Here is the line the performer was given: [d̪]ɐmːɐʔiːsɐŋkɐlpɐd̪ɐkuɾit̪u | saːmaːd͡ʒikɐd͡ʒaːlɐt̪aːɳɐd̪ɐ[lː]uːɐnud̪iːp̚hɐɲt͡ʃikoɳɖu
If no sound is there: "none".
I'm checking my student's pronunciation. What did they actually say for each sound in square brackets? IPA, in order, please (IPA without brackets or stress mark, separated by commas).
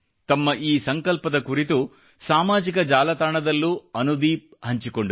t̪, lː